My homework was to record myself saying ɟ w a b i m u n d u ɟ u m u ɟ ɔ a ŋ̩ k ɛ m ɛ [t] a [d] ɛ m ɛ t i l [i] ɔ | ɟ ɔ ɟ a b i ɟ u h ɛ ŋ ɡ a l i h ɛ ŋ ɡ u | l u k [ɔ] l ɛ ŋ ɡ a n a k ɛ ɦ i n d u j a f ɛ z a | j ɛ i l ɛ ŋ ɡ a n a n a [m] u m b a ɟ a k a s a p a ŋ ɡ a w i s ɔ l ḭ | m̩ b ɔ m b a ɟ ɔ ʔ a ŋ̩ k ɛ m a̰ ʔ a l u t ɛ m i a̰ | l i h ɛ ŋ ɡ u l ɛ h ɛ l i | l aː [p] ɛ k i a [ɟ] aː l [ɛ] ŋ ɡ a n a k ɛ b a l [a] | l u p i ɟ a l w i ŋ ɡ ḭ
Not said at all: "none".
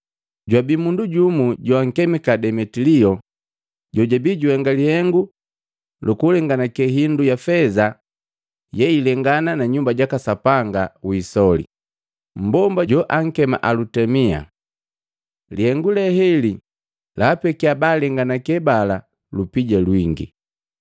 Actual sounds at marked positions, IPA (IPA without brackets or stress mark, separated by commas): k, d, i, u, ɲ, p, b, ɛ, a